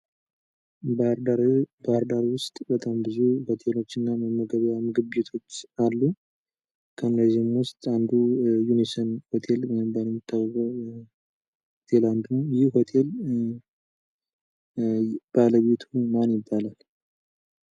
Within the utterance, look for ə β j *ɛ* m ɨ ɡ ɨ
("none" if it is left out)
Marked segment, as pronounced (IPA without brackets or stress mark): a